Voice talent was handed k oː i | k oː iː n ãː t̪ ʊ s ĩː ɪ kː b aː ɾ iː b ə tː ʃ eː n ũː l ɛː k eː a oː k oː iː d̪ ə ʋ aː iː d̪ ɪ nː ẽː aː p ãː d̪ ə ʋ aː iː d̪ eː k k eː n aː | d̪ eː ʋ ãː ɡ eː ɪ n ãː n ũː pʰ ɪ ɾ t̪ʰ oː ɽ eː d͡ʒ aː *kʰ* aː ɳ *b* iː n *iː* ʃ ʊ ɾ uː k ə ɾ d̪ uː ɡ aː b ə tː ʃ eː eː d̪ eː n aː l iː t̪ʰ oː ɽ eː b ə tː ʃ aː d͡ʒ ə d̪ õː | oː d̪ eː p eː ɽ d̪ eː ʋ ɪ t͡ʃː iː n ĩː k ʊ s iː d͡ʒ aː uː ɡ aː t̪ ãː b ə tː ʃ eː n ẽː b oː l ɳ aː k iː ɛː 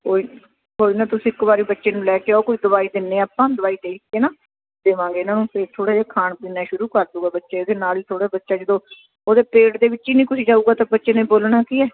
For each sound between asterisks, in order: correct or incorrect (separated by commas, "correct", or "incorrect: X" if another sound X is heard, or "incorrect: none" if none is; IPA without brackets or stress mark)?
correct, incorrect: p, incorrect: aː